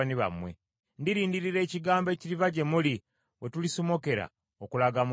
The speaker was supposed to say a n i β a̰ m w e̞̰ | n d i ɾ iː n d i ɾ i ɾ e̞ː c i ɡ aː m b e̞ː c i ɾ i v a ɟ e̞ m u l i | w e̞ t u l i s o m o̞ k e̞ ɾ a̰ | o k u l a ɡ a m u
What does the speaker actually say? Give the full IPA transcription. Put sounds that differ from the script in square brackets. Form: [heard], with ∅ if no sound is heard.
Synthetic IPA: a n i β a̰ m w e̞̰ | n d i ɾ iː n d i ɾ i ɾ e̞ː c i ɡ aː m b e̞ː c i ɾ i v a ɟ e̞ m u l i | w e̞ t u l i s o m o̞ k e̞ ɾ a̰ | o k u l a ɡ a m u

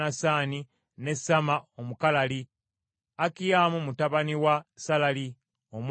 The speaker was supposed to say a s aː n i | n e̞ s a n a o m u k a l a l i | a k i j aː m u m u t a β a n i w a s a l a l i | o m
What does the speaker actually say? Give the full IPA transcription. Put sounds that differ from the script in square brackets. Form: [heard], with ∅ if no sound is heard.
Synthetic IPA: a s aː n i | n e̞ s a [m] a o m u k a l a l i | a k i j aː m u m u t a β a n i w a s a l a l i | o m

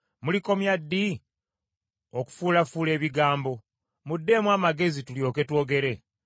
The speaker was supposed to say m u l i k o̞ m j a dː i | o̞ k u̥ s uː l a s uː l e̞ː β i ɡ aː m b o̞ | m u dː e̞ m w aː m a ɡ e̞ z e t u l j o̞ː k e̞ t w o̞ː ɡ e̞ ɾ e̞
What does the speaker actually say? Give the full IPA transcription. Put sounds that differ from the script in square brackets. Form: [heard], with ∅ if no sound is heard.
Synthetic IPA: m u l i k o̞ m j a dː i | o̞ k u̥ [f] uː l a [f] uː l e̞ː β i ɡ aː m b o̞ | m u dː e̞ m w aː m a ɡ e̞ z [i] t u l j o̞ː k e̞ t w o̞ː ɡ e̞ ɾ e̞

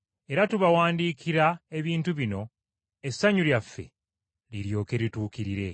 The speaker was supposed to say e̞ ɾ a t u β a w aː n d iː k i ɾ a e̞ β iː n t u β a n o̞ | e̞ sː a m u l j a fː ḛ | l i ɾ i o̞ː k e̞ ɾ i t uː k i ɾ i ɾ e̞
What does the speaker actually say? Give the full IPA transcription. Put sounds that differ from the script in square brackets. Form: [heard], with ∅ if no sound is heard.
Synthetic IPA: e̞ ɾ a t u β a w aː n d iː k i ɾ a e̞ β iː n t u β [i] n o̞ | e̞ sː a [ɲ] u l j a fː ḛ | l i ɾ [j] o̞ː k e̞ ɾ i t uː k i ɾ i ɾ e̞

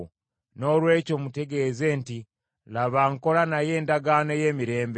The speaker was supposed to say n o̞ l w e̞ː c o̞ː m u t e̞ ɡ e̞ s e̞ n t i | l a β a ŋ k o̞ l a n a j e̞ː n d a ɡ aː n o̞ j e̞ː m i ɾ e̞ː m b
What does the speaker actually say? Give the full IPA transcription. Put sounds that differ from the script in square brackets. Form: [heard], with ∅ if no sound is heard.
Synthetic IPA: n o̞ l w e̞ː c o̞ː m u t e̞ ɡ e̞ [z] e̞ n t i | l a β a ŋ k o̞ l a n a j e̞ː n d a ɡ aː n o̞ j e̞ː m i ɾ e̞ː m b

